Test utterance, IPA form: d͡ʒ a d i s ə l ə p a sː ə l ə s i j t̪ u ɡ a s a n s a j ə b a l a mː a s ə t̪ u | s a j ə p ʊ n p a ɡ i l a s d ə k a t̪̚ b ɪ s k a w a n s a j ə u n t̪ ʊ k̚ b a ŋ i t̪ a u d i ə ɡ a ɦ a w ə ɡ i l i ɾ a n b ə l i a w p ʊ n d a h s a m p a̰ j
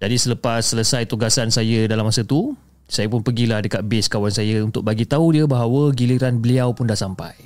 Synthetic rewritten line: d͡ʒ a d i s ə l ə p a sː ə l ə s a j t̪ u ɡ a s a n s a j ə d a l a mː a s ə t̪ u | s a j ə p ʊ n p ə ɡ i l a h d ə k a t̪̚ b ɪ s k a w a n s a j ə u n t̪ ʊ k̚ b a ɡ i t̪ a u d i ə b a ɦ a w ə ɡ i l i ɾ a n b ə l i a w p ʊ n d a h s a m p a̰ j